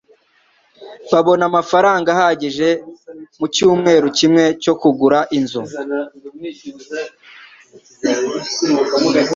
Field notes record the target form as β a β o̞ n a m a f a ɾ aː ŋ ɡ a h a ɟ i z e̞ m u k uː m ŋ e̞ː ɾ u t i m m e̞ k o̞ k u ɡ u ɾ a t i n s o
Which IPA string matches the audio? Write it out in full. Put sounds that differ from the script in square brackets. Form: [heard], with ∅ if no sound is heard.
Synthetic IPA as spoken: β a β o̞ n a m a f a ɾ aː ŋ ɡ a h a ɟ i [ʒ] e̞ m u [c] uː m ŋ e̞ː ɾ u [c] i m [ŋ] e̞ [c] o̞ k u ɡ u ɾ a [ʔ] i n [z] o